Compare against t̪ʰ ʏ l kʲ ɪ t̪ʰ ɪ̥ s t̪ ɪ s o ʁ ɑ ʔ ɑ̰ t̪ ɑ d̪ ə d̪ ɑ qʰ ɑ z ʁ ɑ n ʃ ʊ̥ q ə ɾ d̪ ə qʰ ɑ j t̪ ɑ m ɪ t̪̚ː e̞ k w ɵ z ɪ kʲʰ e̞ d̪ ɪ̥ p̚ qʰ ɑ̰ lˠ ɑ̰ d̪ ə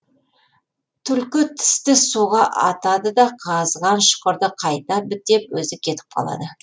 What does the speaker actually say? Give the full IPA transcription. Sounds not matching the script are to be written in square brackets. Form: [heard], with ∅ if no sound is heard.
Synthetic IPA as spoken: t̪ʰ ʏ l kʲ ɪ t̪ʰ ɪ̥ s t̪ ɪ s [u] ʁ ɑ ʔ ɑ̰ t̪ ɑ d̪ ə d̪ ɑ qʰ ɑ z ʁ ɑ n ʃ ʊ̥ q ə ɾ d̪ ə qʰ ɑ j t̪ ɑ [b] ɪ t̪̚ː e̞ [p] w ɵ z ɪ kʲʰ e̞ [t̪] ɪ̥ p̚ qʰ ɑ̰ lˠ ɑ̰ d̪ ə